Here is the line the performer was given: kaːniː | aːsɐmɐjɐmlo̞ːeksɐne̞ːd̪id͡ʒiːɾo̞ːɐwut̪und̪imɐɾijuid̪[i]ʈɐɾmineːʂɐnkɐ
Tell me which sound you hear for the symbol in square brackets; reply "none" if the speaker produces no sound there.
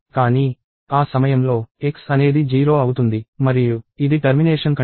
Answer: i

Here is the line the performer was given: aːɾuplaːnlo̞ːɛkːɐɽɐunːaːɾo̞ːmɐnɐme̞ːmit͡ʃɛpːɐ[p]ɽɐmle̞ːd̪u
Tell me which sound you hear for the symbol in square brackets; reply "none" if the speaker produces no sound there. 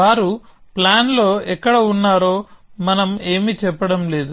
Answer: none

